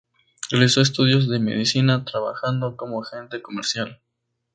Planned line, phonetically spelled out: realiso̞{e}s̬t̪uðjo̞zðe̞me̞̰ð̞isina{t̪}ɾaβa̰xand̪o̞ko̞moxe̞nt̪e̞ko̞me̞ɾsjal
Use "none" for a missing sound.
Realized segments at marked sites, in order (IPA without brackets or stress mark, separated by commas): e, t̪